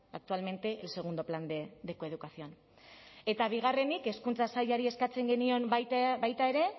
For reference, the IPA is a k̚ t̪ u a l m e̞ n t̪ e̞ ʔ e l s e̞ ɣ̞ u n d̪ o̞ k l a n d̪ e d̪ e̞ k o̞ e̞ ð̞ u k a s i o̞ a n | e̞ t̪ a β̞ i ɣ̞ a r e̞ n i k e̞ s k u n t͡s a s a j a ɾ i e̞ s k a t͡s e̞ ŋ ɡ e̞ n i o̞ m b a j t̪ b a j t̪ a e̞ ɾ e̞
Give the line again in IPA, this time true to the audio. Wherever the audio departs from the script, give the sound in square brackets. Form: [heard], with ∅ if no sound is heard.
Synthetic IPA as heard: a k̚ t̪ u a l m e̞ n t̪ e̞ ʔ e l s e̞ ɣ̞ u n d̪ o̞ [p] l a n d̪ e d̪ e̞ k o̞ e̞ ð̞ u k a s i o̞ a n | e̞ t̪ a β̞ i ɣ̞ a r e̞ n i k e̞ s k u n t͡s a s a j a ɾ i e̞ s k a t͡s e̞ ŋ ɡ e̞ n i o̞ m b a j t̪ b a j t̪ a e̞ ɾ e̞